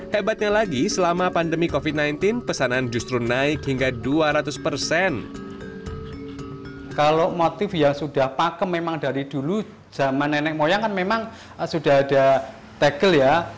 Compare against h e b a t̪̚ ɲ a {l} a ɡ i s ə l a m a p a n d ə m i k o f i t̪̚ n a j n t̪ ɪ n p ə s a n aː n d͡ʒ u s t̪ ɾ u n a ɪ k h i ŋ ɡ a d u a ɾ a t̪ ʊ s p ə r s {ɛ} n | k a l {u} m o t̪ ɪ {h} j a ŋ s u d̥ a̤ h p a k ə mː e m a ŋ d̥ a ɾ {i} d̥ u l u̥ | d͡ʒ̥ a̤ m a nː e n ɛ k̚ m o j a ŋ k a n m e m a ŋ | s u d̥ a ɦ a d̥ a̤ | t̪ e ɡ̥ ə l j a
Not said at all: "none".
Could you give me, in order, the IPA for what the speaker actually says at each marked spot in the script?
l, ɛ, o, f, i

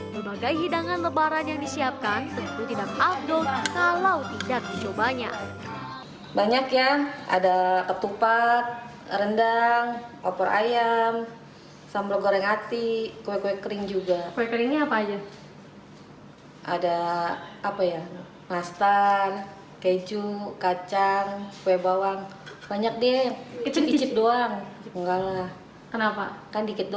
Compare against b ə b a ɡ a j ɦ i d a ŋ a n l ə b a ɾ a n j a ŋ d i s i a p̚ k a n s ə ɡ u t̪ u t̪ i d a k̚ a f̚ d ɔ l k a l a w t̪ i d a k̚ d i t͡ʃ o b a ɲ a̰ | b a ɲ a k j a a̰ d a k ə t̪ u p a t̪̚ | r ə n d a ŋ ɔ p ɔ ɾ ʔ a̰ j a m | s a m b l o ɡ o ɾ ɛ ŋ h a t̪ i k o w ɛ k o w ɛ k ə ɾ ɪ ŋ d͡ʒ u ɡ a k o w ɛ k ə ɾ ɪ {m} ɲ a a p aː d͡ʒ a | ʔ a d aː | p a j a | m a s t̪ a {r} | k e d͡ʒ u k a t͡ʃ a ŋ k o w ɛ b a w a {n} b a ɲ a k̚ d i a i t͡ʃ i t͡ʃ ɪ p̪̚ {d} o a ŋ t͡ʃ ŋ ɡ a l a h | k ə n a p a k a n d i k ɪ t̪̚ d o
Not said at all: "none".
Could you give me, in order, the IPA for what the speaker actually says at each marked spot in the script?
ŋ, r, ŋ, d

